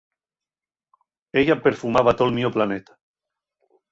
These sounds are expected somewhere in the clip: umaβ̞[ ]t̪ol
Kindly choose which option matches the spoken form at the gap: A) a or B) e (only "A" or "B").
A